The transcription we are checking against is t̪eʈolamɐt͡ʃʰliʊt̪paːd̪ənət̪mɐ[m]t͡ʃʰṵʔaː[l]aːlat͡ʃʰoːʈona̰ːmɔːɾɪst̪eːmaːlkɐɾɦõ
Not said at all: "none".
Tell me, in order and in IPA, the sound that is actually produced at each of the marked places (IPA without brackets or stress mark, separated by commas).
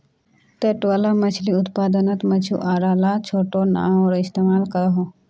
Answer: none, ɾ